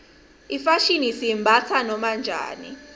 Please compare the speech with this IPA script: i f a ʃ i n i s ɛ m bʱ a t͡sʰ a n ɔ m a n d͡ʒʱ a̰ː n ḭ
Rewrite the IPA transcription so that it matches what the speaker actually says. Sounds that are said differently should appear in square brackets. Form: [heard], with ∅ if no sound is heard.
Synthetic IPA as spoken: i f a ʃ i n i s [i] m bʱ a t͡sʰ a n ɔ m a n d͡ʒʱ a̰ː n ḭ